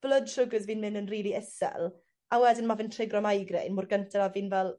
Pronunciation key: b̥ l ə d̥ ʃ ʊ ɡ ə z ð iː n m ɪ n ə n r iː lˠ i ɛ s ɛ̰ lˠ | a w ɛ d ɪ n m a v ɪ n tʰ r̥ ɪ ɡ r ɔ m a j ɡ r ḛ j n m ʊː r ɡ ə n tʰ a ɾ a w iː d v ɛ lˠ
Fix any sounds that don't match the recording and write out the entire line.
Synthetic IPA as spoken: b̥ l ə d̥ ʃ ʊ ɡ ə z v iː n m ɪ n ə n r iː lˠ i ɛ s ɛ̰ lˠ | a w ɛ d ɪ n m a v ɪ n tʰ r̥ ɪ ɡ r ɔ m a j ɡ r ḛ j n m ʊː r ɡ ə n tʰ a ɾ a v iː n v ɛ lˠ